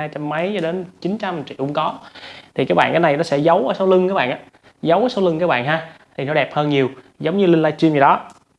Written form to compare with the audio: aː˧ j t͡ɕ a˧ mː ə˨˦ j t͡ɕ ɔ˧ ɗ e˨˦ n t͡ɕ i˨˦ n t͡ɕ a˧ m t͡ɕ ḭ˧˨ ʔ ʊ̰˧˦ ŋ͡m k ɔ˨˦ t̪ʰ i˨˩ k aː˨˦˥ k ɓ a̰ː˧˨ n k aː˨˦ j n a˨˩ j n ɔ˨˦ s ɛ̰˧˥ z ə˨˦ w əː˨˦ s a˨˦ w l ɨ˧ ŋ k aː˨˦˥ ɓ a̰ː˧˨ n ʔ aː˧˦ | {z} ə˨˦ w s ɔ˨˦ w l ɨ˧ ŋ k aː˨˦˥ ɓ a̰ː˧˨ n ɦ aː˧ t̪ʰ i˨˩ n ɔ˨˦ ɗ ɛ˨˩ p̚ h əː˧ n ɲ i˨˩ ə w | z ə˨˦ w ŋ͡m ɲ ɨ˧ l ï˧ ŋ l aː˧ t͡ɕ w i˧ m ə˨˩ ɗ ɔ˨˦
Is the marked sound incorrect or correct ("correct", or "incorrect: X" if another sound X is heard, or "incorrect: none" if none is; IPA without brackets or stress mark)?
correct